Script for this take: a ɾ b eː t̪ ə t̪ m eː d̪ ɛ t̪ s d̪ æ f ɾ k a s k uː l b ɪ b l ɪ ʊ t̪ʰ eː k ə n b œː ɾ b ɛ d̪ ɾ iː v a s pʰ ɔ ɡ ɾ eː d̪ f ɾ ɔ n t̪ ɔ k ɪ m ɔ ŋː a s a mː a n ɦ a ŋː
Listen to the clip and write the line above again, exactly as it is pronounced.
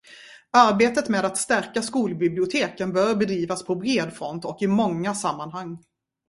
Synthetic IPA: a ɾ b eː t̪ ə t̪ m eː d̪ a t̪ s t̪ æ ɾ k a s k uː l b ɪ b l ɪ ʊ t̪ʰ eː k ə n b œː ɾ b ɛ d̪ ɾ iː v a s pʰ ɔ b ɾ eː d̪ f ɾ ɔ n t̪ ɔ k ɪ m ɔ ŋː a s a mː a n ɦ a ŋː